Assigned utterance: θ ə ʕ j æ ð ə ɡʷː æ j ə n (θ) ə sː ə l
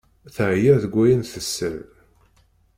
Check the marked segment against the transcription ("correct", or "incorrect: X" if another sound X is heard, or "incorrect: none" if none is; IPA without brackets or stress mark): correct